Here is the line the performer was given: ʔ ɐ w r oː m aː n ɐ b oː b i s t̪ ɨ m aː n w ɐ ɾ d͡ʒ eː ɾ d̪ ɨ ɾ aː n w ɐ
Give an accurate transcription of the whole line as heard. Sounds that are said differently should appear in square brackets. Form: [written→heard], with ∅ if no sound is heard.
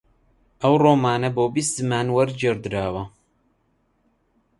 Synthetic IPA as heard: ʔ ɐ w r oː m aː n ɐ b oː b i s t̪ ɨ m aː n w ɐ ɾ d͡ʒ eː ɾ d̪ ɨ ɾ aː [n→∅] w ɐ